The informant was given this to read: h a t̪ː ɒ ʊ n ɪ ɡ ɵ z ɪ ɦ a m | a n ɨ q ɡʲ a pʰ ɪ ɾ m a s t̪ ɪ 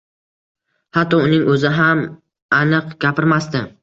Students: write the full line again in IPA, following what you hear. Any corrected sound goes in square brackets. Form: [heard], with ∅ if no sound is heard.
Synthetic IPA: h a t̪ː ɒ ʊ n ɪ [ŋ] ɵ z ɪ ɦ a m | a n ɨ q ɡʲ a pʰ ɪ ɾ m a s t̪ ɪ

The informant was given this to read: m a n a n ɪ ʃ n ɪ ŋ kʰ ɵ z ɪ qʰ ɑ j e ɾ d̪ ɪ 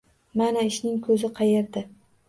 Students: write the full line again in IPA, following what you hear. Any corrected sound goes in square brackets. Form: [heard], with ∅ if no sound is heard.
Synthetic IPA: m a n a [∅] ɪ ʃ n ɪ ŋ kʰ ɵ z ɪ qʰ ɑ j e ɾ d̪ ɪ

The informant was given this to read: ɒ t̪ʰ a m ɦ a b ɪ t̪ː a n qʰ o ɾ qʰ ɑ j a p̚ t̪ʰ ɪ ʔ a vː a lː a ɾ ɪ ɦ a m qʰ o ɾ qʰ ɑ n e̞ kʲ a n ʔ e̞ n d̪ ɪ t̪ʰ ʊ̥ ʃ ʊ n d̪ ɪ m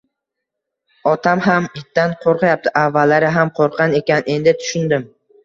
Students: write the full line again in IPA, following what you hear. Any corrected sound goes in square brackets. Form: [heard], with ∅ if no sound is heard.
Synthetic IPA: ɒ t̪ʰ a m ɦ a [m] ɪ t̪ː a n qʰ o ɾ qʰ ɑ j a p̚ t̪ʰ ɪ ʔ a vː a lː a ɾ ɪ ɦ a m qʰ o ɾ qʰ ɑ n e̞ kʲ a n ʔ e̞ n d̪ ɪ t̪ʰ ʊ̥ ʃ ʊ n d̪ ɪ m

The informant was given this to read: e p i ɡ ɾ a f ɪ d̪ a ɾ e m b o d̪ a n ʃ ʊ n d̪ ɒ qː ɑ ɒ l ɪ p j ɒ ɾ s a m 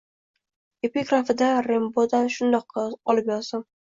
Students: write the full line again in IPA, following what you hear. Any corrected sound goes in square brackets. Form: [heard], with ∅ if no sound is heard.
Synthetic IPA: e p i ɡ ɾ a f ɪ d̪ a ɾ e m b o d̪ a n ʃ ʊ n d̪ ɒ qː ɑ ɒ l ɪ p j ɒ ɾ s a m

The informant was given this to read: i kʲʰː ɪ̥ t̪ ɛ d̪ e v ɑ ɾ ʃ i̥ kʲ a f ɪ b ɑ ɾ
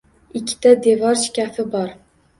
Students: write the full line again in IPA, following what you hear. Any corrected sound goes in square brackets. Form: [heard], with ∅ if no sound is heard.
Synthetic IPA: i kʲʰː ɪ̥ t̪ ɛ d̪ e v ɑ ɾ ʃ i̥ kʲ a f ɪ b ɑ ɾ

